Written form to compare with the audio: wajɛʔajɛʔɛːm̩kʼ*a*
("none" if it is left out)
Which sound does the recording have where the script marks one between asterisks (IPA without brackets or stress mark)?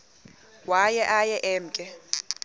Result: ɛ